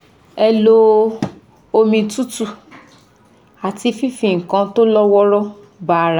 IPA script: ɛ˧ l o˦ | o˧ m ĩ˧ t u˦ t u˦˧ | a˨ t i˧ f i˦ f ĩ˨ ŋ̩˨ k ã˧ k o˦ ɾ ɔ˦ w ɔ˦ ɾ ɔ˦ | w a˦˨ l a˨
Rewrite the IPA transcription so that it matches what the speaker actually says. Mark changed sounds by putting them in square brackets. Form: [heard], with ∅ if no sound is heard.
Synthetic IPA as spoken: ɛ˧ l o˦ | o˧ m ĩ˧ t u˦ t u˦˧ | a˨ t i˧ f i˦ f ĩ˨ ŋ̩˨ k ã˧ [t] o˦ [l] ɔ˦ w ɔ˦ ɾ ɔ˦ | [b] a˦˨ [ɾ] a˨